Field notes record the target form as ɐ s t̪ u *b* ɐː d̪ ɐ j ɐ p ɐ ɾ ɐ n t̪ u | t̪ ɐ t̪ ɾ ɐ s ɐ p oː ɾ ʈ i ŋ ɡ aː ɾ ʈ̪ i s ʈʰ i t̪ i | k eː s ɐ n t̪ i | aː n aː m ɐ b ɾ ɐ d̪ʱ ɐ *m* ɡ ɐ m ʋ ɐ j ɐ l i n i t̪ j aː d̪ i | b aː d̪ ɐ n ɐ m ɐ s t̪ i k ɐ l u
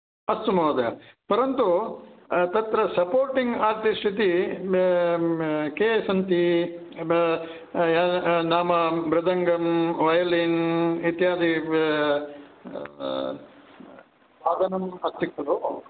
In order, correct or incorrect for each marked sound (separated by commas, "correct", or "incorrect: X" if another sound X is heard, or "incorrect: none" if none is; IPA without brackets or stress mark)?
incorrect: m, incorrect: ŋ